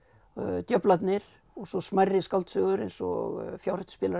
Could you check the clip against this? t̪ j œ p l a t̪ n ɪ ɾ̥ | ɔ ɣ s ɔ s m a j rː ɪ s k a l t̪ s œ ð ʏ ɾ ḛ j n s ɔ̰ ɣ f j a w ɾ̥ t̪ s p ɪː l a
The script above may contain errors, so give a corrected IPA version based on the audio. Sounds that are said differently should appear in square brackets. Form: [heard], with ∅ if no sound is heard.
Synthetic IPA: t̪ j œ p l a t̪ n ɪ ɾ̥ | ɔ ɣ s ɔ s m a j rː ɪ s k a l t̪ s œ [ɣ] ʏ ɾ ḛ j n s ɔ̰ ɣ f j a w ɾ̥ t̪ s p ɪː l a